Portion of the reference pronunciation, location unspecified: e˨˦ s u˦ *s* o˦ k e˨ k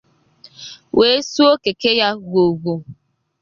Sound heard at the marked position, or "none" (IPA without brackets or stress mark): none